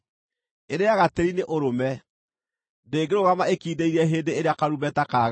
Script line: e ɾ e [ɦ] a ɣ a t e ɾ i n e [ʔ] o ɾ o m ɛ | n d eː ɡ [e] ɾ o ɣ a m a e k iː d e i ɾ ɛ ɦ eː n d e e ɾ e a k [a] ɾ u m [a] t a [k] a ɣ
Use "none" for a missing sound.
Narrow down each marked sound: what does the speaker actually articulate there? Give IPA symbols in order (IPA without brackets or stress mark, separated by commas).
none, ʔ, e, a, ɛ, k